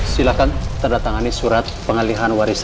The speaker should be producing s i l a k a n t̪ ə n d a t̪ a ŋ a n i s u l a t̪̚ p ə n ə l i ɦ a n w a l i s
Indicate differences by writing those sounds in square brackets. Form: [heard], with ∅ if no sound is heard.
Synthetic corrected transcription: s i l a k a n t̪ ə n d a t̪ a ŋ a n i s u [ɾ] a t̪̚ p ə [ŋ] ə l i ɦ a n w a [ɾ] i s